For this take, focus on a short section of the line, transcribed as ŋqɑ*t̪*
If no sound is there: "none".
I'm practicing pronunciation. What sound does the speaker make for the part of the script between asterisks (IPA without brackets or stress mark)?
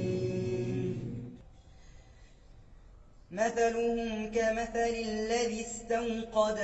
d̪